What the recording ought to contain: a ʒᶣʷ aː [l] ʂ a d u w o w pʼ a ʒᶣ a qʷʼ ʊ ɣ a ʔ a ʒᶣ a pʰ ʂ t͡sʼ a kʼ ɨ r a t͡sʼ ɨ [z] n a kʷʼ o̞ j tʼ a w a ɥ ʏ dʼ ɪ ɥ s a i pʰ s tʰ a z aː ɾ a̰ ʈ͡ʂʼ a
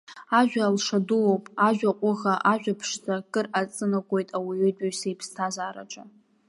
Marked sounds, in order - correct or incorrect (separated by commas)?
correct, incorrect